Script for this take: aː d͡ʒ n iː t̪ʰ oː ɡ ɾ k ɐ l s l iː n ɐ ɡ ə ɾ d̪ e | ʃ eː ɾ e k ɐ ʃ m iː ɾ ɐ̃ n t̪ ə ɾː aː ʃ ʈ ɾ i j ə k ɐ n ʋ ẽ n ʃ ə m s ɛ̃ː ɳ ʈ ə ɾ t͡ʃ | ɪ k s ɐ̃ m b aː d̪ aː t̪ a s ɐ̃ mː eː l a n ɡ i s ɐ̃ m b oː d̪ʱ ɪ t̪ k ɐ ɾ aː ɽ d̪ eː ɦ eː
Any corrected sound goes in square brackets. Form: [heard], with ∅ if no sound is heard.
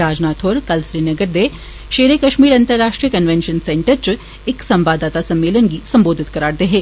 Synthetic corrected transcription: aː d͡ʒ n [aː] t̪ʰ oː [∅] ɾ k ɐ l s [ɾ] iː n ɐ ɡ ə ɾ d̪ e | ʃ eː ɾ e k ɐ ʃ m iː ɾ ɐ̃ n t̪ ə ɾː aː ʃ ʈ ɾ i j ə k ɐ n ʋ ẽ n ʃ ə [n] s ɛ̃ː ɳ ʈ ə ɾ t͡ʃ | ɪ k s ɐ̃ m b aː d̪ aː t̪ a s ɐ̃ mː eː l [ə] n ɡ i s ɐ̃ m b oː d̪ʱ ɪ t̪ k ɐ ɾ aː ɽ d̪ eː ɦ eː

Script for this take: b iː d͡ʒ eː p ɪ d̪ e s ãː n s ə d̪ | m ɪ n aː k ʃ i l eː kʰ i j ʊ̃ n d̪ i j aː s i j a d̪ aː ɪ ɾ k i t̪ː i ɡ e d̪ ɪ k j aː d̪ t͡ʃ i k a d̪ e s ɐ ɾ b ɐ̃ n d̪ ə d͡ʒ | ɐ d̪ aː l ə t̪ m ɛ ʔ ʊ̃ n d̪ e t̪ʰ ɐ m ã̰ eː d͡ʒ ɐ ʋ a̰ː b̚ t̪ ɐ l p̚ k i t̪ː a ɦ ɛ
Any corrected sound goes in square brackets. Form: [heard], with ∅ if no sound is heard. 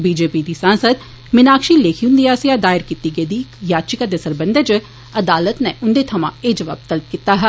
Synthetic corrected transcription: b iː d͡ʒ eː p [i] d̪ [i] s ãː n s ə d̪ | m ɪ n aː k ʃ i l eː kʰ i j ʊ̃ n d̪ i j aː s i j a d̪ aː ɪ ɾ k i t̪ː i ɡ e d̪ [i] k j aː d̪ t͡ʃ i k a d̪ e s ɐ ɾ b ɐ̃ n d̪ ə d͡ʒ | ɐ d̪ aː l ə t̪ [n] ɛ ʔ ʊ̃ n d̪ e t̪ʰ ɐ m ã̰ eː d͡ʒ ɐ ʋ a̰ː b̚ t̪ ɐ l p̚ k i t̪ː a ɦ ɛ

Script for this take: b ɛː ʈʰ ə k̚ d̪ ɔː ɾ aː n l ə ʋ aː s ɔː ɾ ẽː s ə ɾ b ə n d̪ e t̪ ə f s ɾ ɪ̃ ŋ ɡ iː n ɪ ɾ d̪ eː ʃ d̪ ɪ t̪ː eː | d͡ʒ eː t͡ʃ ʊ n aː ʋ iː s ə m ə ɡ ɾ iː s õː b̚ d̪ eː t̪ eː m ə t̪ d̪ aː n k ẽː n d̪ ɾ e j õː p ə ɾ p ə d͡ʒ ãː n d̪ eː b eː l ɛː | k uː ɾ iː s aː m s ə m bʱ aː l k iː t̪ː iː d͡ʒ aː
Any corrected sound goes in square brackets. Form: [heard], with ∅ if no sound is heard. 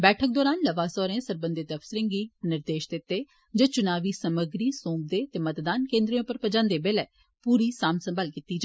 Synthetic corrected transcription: b ɛː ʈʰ ə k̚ d̪ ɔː ɾ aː n l ə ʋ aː s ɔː ɾ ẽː s ə ɾ b ə n d̪ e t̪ ə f s ɾ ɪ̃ ŋ ɡ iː n ɪ ɾ d̪ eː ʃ d̪ ɪ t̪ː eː | d͡ʒ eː t͡ʃ ʊ n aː ʋ iː s ə m ə ɡ ɾ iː s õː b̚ d̪ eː t̪ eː m ə t̪ d̪ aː n k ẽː n d̪ ɾ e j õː p ə ɾ p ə d͡ʒ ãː n d̪ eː b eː l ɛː | [p] uː ɾ iː s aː m s ə m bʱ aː l k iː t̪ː iː d͡ʒ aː

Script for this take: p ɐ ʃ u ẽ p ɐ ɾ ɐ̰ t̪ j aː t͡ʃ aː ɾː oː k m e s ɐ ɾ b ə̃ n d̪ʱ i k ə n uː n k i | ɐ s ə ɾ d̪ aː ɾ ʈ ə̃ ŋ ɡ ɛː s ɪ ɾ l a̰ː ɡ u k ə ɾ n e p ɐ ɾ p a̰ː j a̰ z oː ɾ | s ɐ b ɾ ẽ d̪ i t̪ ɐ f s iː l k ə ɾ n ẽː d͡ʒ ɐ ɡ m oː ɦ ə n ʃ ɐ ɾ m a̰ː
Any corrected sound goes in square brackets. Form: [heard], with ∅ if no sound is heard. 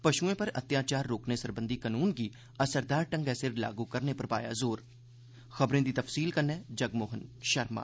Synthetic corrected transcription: p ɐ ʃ u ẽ p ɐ ɾ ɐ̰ t̪ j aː t͡ʃ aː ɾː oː k [n] e s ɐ ɾ b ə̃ n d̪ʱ i k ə n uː n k i | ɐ s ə ɾ d̪ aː ɾ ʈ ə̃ ŋ ɡ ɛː s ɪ ɾ l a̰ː ɡ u k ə ɾ n e p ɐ ɾ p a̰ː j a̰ z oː ɾ | [x] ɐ b ɾ ẽ d̪ i t̪ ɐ f s iː l k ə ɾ n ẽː d͡ʒ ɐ ɡ m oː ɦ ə n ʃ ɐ ɾ m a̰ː

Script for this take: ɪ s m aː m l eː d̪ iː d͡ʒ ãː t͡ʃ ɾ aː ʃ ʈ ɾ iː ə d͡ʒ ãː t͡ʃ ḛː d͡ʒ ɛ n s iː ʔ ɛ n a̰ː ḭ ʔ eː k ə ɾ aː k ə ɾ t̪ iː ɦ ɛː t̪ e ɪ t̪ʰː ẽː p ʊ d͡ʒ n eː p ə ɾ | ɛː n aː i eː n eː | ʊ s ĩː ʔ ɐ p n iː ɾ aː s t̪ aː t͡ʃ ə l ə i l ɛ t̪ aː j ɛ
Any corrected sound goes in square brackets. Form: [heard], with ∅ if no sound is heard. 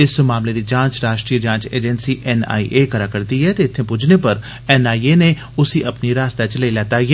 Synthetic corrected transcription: ɪ s m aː m l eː d̪ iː d͡ʒ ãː t͡ʃ ɾ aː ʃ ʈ ɾ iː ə d͡ʒ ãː t͡ʃ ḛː d͡ʒ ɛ n s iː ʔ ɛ n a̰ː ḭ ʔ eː k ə ɾ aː k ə ɾ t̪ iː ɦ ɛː t̪ e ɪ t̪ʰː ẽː p ʊ d͡ʒ n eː p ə ɾ | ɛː n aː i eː n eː | ʊ s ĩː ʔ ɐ p n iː ɾ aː s t̪ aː t͡ʃ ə l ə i l [ɛː] t̪ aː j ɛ

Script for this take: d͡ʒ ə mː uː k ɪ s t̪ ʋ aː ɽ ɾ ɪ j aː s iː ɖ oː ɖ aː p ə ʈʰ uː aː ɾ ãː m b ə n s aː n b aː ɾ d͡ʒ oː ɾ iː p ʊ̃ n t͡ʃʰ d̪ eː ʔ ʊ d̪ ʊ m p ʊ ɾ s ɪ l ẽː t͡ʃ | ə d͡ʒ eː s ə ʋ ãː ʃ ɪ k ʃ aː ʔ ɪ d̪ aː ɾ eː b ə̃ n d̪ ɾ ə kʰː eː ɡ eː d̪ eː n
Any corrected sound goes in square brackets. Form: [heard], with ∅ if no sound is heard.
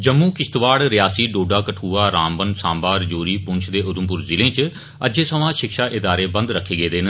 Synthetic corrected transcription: d͡ʒ ə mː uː k ɪ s t̪ ʋ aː ɽ ɾ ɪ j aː s iː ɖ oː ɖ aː [k] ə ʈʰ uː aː ɾ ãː m b ə n s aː [m] b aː ɾ d͡ʒ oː ɾ iː p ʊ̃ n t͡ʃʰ d̪ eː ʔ ʊ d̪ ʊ m p ʊ ɾ [z] ɪ l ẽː t͡ʃ | ə d͡ʒ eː s ə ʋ ãː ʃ ɪ k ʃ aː ʔ ɪ d̪ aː ɾ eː b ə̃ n d̪ ɾ ə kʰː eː ɡ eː d̪ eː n

